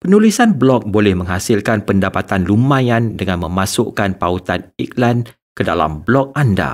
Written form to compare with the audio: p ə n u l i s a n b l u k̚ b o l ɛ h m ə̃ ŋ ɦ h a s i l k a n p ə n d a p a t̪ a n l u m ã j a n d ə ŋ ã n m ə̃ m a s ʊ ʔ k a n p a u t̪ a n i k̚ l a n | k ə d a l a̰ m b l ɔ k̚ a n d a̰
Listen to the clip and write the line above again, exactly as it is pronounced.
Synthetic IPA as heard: p ə n u l i s a n b l ɔ k̚ b o l ɛ h m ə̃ ŋ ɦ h a s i l k a n p ə n d a p a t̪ a n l u m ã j a n d ə ŋ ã n m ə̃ m a s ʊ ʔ k a n p a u t̪ a n i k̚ l a n | k ə d a l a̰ m b l ɔ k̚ a n d a̰